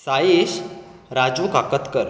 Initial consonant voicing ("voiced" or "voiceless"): voiceless